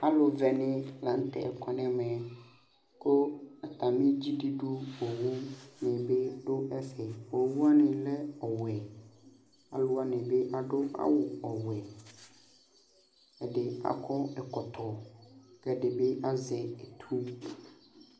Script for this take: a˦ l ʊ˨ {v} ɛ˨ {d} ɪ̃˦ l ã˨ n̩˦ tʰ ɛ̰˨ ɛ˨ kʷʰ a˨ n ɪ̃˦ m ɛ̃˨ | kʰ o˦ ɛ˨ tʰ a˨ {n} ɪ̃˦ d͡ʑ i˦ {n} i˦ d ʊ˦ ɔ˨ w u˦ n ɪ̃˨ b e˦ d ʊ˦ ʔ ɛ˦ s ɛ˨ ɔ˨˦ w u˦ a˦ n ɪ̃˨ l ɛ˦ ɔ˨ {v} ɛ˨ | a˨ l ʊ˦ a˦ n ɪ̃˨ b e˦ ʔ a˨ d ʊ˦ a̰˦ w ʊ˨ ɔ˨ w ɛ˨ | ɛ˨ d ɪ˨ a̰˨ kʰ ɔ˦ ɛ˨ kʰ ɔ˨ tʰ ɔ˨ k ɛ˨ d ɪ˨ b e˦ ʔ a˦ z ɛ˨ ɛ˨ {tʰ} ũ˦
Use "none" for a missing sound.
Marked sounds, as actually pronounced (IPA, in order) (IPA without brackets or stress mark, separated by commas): v, n, m, d, w, tʰ